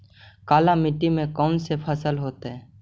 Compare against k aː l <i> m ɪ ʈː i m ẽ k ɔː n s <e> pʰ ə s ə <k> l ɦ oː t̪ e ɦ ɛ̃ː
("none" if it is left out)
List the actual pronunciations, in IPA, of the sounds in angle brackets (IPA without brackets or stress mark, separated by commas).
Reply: a, e, none